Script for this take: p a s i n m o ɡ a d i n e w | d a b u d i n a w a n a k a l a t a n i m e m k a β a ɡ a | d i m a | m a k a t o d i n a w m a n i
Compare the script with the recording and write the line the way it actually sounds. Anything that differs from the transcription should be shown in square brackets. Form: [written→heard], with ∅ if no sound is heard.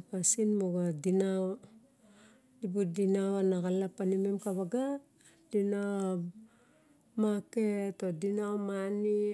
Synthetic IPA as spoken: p a s i n m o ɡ a d i n [e→a] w | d [a→i] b u d i n a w a n a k a l a [t→p] a n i m e m k a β a ɡ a | d i [m→n] a | m a k [a→e] t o d i n a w m a n i